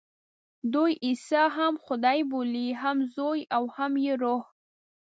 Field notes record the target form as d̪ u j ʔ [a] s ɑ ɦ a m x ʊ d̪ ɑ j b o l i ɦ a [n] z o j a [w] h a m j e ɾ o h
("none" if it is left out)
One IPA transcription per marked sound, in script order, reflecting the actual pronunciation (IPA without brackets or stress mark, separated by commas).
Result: i, m, w